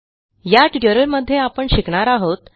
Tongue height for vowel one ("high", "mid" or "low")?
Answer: low